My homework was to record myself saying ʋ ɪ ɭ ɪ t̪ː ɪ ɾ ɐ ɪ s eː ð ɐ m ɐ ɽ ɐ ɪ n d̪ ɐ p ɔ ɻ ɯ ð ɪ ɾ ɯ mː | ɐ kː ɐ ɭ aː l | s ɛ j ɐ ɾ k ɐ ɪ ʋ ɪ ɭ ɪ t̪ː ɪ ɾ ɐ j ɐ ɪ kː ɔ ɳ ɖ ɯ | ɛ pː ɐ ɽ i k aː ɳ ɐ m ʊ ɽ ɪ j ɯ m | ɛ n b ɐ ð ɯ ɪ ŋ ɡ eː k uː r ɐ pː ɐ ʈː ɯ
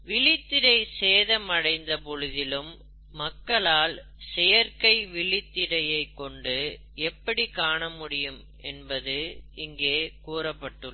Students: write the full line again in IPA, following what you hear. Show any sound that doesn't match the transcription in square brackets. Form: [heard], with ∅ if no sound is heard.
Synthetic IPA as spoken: ʋ ɪ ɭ ɪ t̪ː ɪ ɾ ɐ ɪ s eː ð ɐ m ɐ ɽ ɐ ɪ n d̪ ɐ p ɔ ɻ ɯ ð ɪ [l] ɯ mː | ɐ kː ɐ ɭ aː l | s ɛ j ɐ ɾ k ɐ ɪ ʋ ɪ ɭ ɪ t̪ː ɪ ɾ ɐ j ɐ ɪ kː ɔ ɳ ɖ ɯ | ɛ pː ɐ ɽ i k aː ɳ ɐ m ʊ ɽ ɪ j ɯ m | ɛ n b ɐ ð ɯ ɪ ŋ ɡ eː k uː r ɐ pː ɐ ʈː ɯ